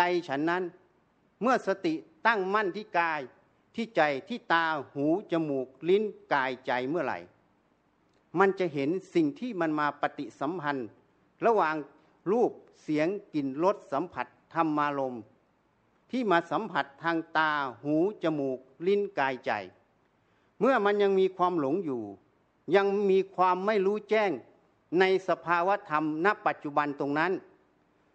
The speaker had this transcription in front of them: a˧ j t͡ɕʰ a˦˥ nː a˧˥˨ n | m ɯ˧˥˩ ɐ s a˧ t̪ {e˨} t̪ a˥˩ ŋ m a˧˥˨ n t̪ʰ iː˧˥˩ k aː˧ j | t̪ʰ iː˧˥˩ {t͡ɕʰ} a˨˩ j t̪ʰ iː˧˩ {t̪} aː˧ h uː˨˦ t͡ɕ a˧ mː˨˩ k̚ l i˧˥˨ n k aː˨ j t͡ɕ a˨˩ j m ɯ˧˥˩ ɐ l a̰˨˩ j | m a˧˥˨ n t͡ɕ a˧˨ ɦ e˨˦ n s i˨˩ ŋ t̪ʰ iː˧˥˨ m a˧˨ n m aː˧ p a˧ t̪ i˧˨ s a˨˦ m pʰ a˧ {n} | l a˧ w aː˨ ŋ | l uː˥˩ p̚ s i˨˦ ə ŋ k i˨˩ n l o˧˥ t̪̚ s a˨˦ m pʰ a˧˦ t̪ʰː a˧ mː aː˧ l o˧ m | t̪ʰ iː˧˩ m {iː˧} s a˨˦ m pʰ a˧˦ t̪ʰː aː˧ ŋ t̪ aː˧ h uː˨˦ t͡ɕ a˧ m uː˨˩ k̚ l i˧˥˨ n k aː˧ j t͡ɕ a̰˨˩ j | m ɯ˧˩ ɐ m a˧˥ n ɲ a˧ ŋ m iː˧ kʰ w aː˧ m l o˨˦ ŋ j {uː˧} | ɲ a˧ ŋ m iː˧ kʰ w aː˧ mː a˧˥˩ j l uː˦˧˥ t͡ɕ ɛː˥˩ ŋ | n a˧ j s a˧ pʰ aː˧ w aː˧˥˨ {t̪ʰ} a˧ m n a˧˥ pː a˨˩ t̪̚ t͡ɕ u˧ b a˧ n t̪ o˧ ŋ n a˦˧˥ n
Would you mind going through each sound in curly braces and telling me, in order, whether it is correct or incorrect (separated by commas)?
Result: incorrect, incorrect, correct, correct, incorrect, incorrect, correct